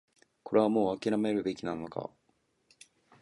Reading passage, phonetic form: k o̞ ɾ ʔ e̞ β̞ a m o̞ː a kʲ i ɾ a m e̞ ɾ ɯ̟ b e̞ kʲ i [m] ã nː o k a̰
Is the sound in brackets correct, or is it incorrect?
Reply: incorrect